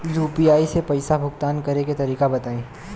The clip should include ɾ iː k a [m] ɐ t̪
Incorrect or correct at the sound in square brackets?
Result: incorrect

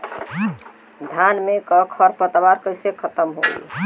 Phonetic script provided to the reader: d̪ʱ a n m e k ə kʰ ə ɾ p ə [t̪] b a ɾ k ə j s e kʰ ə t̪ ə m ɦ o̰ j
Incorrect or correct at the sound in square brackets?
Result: correct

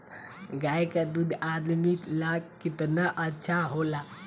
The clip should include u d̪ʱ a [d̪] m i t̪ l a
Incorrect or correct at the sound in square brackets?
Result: correct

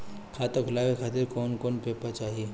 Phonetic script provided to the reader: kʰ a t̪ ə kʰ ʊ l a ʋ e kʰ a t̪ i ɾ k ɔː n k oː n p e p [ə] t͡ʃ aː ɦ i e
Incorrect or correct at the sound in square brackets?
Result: incorrect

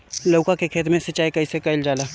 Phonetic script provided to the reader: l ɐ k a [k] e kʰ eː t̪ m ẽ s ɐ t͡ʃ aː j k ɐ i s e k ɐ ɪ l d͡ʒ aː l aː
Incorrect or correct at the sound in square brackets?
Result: correct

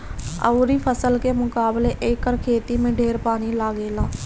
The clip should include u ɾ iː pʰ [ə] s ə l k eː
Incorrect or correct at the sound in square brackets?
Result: correct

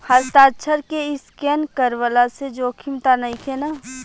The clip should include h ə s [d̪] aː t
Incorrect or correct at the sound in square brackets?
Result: incorrect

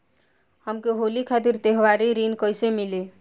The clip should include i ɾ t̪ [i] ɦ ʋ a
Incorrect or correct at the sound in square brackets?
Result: incorrect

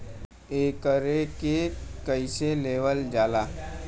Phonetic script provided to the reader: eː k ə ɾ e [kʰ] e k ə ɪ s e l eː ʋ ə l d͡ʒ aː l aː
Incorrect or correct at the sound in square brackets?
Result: incorrect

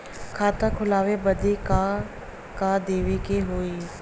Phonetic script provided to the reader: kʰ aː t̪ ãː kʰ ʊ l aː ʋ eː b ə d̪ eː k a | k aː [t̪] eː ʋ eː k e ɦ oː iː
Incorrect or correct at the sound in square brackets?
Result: incorrect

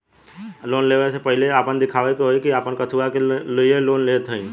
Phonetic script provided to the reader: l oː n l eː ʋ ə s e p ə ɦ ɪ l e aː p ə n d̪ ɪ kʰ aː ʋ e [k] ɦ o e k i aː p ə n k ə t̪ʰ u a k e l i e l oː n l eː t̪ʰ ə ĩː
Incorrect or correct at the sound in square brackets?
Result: correct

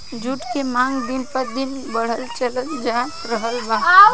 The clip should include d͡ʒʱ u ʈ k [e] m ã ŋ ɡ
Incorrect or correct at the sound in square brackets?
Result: correct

